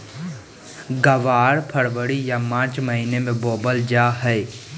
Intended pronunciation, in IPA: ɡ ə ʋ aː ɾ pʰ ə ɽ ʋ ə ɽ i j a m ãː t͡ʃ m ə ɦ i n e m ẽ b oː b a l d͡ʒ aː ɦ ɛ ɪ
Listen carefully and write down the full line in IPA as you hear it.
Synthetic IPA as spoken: ɡ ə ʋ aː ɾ pʰ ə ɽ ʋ ə ɽ i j a m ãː t͡ʃ m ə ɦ i n e m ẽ b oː b ə l d͡ʒ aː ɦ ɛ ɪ